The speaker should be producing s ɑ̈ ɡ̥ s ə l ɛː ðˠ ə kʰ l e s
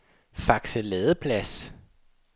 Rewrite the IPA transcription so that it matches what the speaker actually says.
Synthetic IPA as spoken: f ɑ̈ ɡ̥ s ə l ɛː ðˠ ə pʰ l æ s